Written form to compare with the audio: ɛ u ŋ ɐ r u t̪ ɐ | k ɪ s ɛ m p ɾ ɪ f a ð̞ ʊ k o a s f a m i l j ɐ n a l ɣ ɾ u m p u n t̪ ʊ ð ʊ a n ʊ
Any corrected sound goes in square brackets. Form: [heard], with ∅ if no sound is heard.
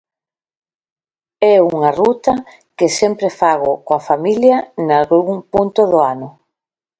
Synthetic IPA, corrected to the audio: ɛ u ŋ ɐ r u t̪ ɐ | k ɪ s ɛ m p ɾ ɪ f a [ɣ̞] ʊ k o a [∅] f a m i l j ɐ n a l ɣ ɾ u [ŋ] p u n t̪ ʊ ð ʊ a n ʊ